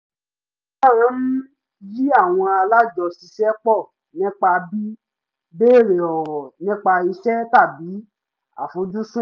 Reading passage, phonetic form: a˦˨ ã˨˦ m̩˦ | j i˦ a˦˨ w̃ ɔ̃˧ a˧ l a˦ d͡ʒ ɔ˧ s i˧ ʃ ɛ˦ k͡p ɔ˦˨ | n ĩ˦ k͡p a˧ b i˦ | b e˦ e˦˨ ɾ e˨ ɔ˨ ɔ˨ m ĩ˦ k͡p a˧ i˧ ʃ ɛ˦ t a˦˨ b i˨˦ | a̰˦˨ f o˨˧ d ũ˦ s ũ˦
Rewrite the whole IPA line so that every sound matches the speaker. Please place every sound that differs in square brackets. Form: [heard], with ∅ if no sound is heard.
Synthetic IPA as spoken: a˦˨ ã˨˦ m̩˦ | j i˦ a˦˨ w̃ ɔ̃˧ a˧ l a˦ d͡ʒ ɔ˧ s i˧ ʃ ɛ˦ k͡p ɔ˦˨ | n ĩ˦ k͡p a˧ b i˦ | b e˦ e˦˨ ɾ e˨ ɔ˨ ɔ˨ [n] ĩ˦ k͡p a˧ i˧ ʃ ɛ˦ t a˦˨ b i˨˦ | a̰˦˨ f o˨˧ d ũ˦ s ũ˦